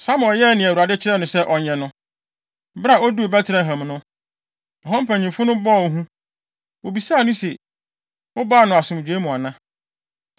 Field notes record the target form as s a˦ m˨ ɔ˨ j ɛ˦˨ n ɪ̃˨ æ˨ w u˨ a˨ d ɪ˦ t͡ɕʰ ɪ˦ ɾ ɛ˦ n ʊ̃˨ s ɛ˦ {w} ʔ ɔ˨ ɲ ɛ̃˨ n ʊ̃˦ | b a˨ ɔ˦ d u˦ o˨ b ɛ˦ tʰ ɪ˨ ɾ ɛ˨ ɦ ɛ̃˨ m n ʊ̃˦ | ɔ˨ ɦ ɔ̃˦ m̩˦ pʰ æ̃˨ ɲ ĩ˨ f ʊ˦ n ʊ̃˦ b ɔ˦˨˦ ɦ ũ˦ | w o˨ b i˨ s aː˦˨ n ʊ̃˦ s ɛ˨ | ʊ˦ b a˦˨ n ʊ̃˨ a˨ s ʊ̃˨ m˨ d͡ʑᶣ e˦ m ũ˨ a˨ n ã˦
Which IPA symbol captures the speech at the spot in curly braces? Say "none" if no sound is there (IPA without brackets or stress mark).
none